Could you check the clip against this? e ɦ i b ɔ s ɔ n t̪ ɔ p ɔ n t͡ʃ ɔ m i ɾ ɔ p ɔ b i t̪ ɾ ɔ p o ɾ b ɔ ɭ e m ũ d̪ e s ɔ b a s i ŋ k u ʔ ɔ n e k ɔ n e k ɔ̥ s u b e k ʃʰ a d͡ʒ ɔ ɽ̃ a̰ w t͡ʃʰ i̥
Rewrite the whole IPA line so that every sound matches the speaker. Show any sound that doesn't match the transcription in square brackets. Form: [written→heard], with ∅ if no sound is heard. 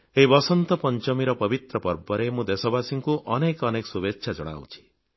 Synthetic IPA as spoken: e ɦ i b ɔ s ɔ n t̪ ɔ p ɔ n t͡ʃ ɔ m i ɾ ɔ p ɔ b i t̪ ɾ ɔ p [o→ɔ] ɾ b ɔ [ɭ→ɾ] e m ũ d̪ e s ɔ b a s i ŋ k u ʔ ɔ n e k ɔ n e k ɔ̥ s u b e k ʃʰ a d͡ʒ ɔ ɽ̃ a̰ w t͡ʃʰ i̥

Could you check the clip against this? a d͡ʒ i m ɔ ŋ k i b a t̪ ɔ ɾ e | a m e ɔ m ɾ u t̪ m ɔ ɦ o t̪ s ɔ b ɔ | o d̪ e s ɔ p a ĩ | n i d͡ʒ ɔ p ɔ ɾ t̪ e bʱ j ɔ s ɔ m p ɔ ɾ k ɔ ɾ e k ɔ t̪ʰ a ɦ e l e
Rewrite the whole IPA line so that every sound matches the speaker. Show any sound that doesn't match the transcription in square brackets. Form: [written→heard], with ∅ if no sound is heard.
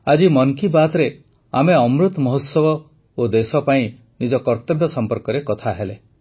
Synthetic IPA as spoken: a d͡ʒ i m ɔ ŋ k i b a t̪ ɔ ɾ e | a m e ɔ m ɾ u t̪ m ɔ ɦ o t̪ s ɔ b ɔ | o d̪ e s ɔ p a ĩ | n i d͡ʒ ɔ [p→k] ɔ ɾ t̪ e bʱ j ɔ s ɔ m p ɔ ɾ k ɔ ɾ e k ɔ t̪ʰ a ɦ e l e

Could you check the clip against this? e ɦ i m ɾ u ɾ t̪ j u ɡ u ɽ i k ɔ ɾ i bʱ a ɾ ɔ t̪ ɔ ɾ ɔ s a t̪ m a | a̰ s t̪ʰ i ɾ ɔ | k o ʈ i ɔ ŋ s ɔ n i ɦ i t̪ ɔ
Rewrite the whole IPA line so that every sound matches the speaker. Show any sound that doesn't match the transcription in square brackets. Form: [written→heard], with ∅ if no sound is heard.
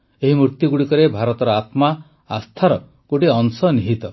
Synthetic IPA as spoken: e ɦ i m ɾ u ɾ t̪ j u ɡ u ɽ i k ɔ ɾ [i→e] bʱ a ɾ ɔ t̪ ɔ ɾ ɔ [s→∅] a t̪ m a | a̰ s t̪ʰ [i→a] ɾ ɔ | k o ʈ i ɔ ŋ s ɔ n i ɦ i t̪ ɔ

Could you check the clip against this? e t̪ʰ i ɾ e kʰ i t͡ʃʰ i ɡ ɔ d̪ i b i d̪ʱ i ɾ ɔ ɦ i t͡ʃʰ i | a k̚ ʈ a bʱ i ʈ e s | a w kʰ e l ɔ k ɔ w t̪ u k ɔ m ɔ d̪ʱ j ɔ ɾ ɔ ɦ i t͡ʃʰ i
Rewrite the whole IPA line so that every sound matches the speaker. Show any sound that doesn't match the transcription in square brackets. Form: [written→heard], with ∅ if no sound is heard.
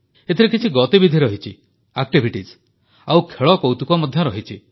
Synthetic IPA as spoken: e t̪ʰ i ɾ e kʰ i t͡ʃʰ i ɡ ɔ [d̪→t̪] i b i d̪ʱ i ɾ ɔ ɦ i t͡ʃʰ i | a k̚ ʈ [a→i] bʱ i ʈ [e→i] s | a w kʰ e [l→ɭ] ɔ k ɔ w t̪ u k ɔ m ɔ d̪ʱ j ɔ ɾ ɔ ɦ i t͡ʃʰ i

